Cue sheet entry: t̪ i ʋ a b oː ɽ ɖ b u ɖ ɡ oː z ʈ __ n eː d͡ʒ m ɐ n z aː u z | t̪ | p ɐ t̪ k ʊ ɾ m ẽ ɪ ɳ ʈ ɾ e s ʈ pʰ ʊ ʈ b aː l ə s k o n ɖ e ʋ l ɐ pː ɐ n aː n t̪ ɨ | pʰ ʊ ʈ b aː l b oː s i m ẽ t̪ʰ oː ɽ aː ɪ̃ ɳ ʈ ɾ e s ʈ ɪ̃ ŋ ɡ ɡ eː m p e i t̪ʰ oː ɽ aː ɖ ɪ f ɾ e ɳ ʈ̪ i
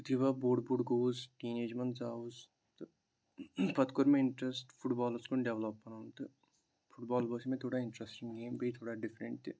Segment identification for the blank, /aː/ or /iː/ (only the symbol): iː